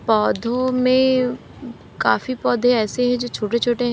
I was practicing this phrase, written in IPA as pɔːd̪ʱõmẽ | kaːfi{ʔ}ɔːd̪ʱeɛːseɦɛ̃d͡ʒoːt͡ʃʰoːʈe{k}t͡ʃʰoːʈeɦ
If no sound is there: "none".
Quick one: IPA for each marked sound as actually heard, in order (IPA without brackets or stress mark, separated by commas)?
p, none